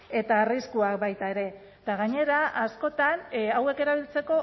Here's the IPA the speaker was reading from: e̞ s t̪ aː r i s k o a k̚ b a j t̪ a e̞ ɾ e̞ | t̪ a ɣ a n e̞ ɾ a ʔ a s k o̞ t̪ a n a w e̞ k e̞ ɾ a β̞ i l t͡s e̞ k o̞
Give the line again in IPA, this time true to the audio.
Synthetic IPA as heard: e̞ t̪ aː r i s k u a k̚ b a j t̪ a e̞ ɾ e̞ | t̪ a ɣ a ɲ e̞ ɾ a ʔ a s k o̞ t̪ a n a w e̞ k e̞ ɾ a β̞ i l t͡s e̞ k o̞